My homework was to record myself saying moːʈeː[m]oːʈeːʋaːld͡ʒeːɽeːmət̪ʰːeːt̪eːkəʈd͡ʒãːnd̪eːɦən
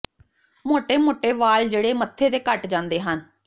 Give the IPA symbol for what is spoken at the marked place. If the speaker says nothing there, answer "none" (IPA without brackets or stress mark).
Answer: m